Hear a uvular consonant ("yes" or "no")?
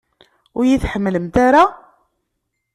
no